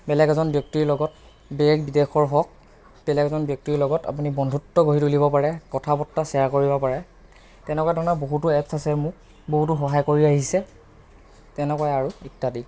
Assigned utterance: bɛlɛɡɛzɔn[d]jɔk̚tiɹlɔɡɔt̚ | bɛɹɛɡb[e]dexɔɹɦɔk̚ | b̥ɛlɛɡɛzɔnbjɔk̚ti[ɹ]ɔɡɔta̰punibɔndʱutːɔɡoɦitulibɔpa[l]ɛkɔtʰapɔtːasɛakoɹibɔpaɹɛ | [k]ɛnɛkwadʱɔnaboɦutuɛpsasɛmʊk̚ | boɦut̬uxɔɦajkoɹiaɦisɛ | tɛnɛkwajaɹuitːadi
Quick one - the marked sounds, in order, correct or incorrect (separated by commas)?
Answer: incorrect, incorrect, incorrect, incorrect, incorrect